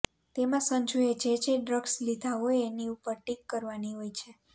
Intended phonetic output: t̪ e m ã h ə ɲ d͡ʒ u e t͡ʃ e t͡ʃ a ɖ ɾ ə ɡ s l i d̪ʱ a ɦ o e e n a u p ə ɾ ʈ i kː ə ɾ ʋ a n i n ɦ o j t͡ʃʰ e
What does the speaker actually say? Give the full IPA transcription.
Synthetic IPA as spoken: t̪ e m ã s ə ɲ d͡ʒ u e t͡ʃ e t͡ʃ e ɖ ɾ ə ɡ s l i d̪ʱ a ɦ o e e n i u p ə ɾ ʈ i kː ə ɾ ʋ a n i ɦ o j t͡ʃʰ e